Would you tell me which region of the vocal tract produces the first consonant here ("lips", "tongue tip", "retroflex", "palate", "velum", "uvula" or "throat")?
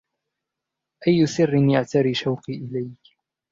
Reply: throat